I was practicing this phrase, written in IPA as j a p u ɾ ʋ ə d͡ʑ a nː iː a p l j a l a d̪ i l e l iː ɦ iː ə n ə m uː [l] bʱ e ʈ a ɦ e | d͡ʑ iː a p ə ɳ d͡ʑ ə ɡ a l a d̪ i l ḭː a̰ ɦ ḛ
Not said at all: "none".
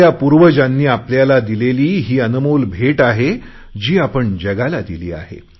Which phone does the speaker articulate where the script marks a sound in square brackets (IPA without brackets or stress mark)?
l